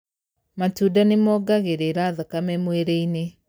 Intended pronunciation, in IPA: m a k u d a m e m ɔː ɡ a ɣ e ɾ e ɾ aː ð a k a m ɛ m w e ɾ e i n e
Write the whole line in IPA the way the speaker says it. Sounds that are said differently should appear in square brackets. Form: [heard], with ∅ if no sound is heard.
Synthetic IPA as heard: m a [t] u d a [n] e m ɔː ɡ a ɣ e ɾ e ɾ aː ð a k a m ɛ m w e ɾ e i n e